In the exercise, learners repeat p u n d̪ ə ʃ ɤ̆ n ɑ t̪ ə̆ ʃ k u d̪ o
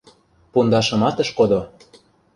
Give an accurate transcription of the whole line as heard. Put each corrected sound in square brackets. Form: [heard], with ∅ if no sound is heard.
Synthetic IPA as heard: p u n d̪ [ɑ] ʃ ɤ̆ [m] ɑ t̪ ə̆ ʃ k [o] d̪ o